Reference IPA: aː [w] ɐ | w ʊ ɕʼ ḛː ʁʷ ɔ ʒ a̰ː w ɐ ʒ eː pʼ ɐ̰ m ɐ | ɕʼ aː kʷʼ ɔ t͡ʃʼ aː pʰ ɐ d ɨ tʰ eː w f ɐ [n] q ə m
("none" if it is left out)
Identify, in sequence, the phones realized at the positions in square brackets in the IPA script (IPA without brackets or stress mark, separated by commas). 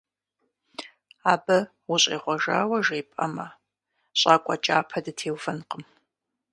b, n